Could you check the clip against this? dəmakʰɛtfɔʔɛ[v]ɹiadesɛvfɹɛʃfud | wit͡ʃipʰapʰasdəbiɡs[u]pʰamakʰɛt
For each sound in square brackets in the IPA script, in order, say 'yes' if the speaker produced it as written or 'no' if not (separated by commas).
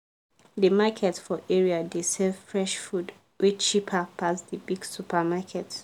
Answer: no, yes